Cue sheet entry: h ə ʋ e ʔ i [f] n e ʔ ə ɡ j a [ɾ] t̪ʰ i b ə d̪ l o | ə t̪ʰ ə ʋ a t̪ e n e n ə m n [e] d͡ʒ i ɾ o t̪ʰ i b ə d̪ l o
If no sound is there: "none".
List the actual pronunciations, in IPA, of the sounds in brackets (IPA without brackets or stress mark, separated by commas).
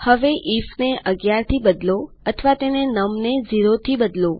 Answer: f, ɾ, e